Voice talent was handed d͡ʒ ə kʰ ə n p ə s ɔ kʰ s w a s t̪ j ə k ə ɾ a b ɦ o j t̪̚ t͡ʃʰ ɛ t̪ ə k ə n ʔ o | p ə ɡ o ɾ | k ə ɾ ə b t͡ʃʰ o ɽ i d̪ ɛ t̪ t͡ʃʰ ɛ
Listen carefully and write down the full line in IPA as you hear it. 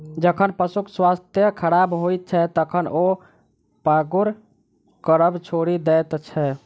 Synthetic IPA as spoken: d͡ʒ ə kʰ ə n p ə s u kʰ s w a s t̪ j ə kʰ ə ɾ a b ɦ o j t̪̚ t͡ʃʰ ɛ t̪ ə kʰ ə n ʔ o | p a ɡ u ɾ | k ə ɾ ə b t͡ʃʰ o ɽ i d̪ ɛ t̪ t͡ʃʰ ɛ